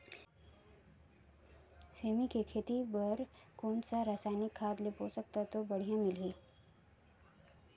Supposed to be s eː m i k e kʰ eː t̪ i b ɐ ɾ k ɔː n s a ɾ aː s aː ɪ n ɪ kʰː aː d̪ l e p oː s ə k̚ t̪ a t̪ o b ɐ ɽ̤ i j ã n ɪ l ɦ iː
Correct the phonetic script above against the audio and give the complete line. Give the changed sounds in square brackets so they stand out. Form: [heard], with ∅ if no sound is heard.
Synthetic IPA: s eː m i k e kʰ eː t̪ i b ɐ ɾ k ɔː n s a ɾ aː s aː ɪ n ɪ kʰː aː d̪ l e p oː s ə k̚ t̪ a t̪ o b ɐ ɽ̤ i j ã [m] ɪ l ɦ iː